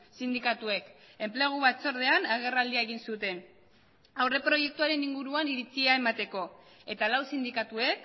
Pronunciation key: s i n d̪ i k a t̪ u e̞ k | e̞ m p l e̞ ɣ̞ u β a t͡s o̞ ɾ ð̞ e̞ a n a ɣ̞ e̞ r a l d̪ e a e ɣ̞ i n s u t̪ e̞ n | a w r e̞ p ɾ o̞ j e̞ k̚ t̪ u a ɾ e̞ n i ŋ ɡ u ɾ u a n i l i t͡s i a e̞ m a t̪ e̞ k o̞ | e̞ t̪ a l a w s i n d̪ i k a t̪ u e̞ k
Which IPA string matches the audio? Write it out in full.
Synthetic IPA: s i n d̪ i k a t̪ u e̞ k | e̞ m p l e̞ ɣ̞ u β a t͡s o̞ ɾ ð̞ e̞ a n a ɣ̞ e̞ r a l d̪ i a e ɣ̞ i n s u t̪ e̞ n | a w r e̞ p ɾ o̞ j e̞ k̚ t̪ u a ɾ e̞ n i ŋ ɡ u ɾ u a n i ɾ i t͡s i a e̞ m a t̪ e̞ k o̞ | e̞ t̪ a l a w s i n d̪ i k a t̪ u e̞ k